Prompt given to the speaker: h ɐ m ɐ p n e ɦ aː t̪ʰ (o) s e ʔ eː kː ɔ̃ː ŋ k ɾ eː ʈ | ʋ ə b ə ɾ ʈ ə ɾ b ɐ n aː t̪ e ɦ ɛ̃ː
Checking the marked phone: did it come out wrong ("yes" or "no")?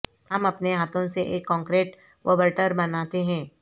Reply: yes